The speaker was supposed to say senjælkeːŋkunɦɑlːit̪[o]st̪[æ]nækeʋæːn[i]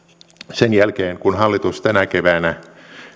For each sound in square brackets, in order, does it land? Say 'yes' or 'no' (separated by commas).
no, yes, no